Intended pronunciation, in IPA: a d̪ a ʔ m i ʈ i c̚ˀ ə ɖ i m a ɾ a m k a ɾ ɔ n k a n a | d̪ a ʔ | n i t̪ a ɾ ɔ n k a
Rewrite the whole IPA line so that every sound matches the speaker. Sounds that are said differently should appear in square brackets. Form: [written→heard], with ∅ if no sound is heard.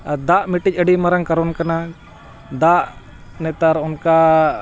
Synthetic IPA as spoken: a d̪ a ʔ m i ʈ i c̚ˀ ə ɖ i m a ɾ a [m→ŋ] k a ɾ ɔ n k a n a | d̪ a ʔ | n [i→ɛ] t̪ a ɾ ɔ n k a